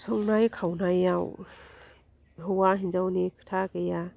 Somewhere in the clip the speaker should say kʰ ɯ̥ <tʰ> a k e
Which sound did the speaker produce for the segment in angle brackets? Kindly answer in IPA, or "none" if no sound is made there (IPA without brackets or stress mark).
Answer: tʰ